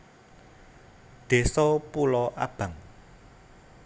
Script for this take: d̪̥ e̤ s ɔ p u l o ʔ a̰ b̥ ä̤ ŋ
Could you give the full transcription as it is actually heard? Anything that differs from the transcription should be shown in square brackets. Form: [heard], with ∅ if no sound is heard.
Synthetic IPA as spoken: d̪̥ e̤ s ɔ p u l [ɔ] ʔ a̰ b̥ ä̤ ŋ